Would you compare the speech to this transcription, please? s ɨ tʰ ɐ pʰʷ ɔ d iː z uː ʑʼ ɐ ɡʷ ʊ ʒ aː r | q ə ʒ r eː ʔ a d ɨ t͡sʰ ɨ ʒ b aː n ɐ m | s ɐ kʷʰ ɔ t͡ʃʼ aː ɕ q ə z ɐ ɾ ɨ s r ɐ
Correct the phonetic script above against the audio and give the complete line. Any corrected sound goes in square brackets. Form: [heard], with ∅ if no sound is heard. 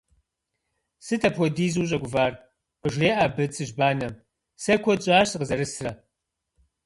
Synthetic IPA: s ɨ tʰ ɐ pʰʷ ɔ d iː z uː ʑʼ ɐ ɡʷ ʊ [v] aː r | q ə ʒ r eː ʔ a [b] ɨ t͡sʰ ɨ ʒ b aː n ɐ m | s ɐ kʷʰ ɔ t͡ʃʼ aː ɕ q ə z ɐ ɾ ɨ s r ɐ